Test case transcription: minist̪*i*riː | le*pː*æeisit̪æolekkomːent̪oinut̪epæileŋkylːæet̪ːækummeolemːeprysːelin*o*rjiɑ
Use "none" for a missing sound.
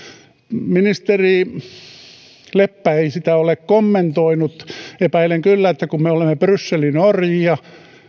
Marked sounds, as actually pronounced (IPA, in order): e, pː, o

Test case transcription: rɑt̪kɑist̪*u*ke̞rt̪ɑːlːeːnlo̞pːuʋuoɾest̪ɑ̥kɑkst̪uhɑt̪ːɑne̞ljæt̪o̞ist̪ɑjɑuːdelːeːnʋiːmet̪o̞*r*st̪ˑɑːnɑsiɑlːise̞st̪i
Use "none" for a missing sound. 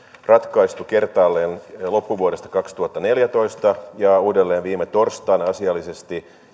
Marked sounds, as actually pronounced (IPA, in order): u, r

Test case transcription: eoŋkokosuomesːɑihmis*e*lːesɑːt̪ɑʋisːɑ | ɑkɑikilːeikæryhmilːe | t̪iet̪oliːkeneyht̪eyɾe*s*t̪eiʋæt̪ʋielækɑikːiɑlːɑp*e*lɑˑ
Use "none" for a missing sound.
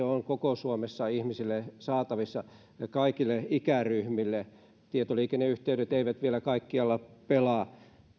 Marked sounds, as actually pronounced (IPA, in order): i, none, e

